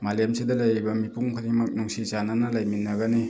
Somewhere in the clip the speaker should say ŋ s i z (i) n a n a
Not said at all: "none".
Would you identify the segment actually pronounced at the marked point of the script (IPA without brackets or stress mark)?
a